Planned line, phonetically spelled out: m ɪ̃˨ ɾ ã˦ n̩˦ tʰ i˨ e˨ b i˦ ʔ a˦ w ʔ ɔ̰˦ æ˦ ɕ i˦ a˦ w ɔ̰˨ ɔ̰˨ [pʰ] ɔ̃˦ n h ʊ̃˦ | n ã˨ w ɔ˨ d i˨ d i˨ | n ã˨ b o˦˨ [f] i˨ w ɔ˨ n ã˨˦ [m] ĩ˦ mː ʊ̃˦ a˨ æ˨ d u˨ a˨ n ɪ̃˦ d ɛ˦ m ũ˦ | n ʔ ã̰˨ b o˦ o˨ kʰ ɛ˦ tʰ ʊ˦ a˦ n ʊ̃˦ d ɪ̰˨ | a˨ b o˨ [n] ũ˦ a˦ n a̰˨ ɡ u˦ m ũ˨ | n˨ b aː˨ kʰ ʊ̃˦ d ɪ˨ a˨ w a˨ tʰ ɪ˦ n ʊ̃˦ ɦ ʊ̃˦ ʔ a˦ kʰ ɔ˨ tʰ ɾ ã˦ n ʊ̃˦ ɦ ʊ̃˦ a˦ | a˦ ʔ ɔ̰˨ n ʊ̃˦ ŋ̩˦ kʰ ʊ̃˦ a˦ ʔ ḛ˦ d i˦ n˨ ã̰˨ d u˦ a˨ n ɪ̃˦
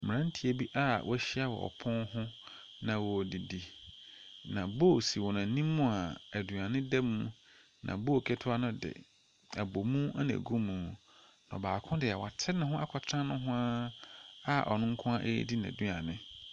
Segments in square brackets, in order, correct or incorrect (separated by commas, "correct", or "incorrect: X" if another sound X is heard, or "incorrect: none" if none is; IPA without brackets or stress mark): correct, incorrect: s, incorrect: n, incorrect: m